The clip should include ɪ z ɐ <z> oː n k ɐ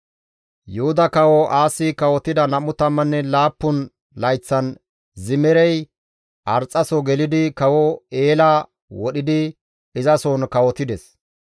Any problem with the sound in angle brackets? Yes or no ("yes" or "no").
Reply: yes